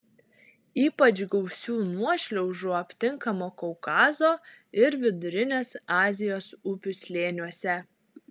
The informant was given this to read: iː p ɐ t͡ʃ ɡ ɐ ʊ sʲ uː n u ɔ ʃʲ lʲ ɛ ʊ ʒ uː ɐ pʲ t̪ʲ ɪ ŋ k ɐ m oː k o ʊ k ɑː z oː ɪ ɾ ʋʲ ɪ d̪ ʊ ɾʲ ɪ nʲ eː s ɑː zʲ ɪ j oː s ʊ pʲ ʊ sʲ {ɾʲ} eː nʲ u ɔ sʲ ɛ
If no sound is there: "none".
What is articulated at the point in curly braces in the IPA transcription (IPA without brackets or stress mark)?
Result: lʲ